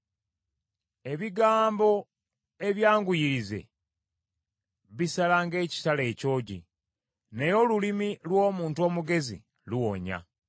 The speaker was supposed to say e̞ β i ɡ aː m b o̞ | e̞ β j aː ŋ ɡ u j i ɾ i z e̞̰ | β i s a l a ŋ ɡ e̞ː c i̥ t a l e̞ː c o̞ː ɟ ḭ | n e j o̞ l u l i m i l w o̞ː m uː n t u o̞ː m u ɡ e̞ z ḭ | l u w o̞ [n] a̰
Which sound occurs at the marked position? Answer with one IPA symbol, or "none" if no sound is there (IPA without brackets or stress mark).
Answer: ɲ